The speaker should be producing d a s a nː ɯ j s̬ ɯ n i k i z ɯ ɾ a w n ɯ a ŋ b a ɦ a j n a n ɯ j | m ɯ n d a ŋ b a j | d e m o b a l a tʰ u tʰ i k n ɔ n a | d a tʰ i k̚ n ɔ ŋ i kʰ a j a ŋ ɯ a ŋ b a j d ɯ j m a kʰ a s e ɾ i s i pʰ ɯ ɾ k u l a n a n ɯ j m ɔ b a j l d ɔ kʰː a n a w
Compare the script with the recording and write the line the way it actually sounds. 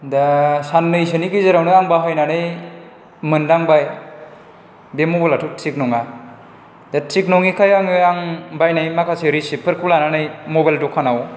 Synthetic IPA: d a s a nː ɯ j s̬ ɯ n i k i z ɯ ɾ a w n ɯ a ŋ b a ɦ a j n a n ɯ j | m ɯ n d a ŋ b a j | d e m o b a l a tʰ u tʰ i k n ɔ ŋ a | d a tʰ i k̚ n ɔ ŋ i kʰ a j a ŋ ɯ a ŋ b a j n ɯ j m a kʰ a s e ɾ i s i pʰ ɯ ɾ k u l a n a n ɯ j m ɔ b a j l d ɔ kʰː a n a w